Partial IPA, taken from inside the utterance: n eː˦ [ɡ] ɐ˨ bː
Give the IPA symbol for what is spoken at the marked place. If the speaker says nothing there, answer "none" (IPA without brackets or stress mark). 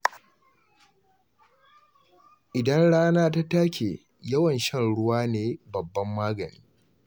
b